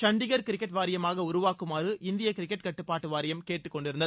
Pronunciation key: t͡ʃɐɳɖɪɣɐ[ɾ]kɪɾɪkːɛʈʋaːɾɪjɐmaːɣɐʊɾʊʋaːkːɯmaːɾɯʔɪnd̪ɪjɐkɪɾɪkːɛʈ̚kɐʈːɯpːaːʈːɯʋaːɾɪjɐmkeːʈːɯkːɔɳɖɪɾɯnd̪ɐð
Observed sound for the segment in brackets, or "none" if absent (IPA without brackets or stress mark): ɾ